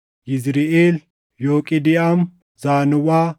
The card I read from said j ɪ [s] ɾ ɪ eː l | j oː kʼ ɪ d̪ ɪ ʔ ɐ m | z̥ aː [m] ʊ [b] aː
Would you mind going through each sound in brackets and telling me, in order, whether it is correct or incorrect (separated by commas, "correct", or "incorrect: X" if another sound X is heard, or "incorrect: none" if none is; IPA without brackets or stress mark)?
incorrect: z, incorrect: n, incorrect: w